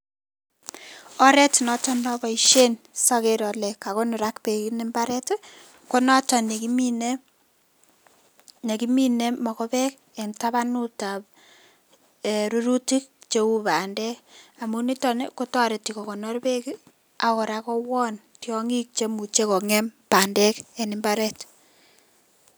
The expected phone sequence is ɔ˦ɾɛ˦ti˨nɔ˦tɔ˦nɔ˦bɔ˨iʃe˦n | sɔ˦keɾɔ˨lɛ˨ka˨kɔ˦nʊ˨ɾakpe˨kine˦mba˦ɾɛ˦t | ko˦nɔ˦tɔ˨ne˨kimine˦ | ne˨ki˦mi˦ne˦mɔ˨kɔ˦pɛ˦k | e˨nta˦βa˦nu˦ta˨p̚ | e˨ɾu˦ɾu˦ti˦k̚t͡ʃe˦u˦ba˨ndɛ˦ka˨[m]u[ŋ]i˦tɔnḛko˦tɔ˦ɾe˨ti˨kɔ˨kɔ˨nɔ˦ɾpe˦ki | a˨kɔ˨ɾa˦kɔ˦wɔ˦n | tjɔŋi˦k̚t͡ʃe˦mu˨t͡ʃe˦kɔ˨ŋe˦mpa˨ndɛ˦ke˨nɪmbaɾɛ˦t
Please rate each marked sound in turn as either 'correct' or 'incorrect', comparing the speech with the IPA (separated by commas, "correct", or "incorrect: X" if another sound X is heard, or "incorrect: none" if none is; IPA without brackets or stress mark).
correct, incorrect: n